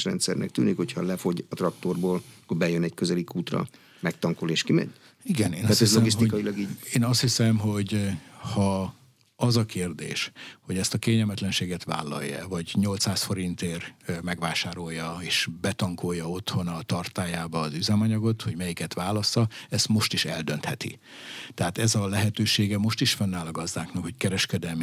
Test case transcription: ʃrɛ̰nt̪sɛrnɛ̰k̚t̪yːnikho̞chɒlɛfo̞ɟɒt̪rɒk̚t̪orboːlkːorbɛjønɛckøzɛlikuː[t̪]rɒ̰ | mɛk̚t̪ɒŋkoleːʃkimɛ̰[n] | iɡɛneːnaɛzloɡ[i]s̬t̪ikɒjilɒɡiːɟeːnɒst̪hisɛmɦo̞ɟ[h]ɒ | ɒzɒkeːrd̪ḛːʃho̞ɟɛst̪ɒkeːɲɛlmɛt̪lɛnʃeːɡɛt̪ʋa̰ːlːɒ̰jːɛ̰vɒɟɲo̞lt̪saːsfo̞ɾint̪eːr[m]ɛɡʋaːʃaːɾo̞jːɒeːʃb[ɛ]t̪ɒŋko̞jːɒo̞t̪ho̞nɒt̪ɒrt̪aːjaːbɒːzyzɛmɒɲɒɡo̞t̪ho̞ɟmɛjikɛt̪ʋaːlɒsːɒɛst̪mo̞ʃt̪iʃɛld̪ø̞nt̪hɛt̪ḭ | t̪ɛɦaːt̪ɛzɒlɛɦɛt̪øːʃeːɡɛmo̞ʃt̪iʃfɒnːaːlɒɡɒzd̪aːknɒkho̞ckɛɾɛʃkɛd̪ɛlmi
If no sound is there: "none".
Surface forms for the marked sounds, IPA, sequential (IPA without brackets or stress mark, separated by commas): t̪, ɲ, i, h, m, ɛ